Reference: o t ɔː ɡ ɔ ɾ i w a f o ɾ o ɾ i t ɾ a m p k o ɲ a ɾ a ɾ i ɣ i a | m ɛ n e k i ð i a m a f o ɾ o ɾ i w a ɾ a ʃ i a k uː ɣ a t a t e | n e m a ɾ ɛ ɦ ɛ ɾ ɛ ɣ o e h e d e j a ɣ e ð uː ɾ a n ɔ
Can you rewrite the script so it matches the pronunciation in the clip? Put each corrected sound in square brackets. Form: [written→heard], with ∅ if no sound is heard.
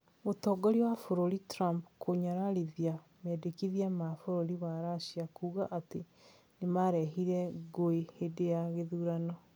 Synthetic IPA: o t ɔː ɡ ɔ ɾ i w a f o ɾ o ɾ i t ɾ a m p k o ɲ a ɾ a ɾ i [ɣ→ð] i a | m ɛ [n→d] e k i ð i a m a f o ɾ o ɾ i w a ɾ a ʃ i a k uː ɣ a [t→ʔ] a t e | n e m a ɾ ɛ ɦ [ɛ→i] ɾ ɛ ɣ o e h e d e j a ɣ e ð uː ɾ a n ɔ